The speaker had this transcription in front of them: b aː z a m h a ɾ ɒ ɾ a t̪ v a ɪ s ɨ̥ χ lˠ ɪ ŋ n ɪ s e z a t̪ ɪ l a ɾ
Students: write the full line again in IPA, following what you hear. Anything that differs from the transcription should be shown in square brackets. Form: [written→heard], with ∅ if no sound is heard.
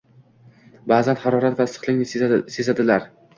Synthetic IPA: b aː z a [m→n] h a ɾ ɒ ɾ a t̪ v a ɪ s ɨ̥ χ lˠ ɪ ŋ n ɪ s e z a [t̪→d̪] ɪ l a ɾ